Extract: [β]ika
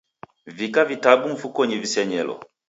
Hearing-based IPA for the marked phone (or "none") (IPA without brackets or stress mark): v